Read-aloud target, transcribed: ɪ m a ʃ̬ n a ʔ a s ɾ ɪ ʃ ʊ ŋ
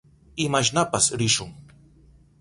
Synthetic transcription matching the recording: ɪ m a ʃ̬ n a p a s ɾ ɪ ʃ ʊ ŋ